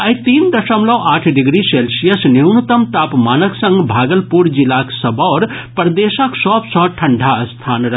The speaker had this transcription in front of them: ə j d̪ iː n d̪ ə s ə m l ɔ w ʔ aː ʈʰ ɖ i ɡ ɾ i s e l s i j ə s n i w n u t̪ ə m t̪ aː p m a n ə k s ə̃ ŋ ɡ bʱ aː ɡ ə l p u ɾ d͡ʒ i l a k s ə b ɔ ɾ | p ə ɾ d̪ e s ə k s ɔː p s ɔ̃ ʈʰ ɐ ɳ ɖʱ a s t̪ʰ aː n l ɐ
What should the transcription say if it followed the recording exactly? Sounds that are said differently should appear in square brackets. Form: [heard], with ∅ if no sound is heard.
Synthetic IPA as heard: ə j [t̪] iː n d̪ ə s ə m l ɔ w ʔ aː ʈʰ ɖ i ɡ ɾ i s e l s i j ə s n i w n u t̪ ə m t̪ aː p m a n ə k s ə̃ ŋ ɡ bʱ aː ɡ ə l p u ɾ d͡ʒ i l a k s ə b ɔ ɾ | p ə ɾ d̪ e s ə k s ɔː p s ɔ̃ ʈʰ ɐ ɳ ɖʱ a s t̪ʰ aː n [ɾ] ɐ